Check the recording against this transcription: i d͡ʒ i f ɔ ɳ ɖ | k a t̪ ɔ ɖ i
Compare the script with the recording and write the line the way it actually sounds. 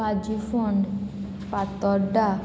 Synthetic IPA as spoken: a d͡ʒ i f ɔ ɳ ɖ | p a t̪ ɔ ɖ a